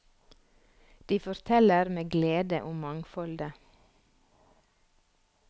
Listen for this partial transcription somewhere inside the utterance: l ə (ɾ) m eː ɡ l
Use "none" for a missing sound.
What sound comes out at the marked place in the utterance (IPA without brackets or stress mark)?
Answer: ɾ